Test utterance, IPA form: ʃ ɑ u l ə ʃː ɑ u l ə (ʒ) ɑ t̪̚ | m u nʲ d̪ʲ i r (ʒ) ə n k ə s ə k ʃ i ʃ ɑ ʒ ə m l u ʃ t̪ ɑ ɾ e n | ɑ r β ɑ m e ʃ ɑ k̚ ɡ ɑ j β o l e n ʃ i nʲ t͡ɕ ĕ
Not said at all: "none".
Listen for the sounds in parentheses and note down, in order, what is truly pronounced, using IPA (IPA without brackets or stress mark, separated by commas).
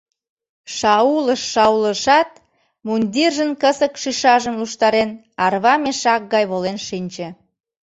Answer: ʃ, ʒ